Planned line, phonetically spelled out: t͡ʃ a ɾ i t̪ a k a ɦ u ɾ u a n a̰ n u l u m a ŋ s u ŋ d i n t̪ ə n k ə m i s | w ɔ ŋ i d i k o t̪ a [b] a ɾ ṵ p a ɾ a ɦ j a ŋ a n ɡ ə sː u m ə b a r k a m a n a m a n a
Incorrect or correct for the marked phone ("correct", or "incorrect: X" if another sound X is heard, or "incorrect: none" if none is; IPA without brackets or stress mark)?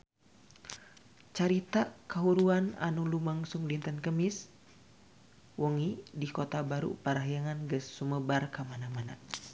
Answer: correct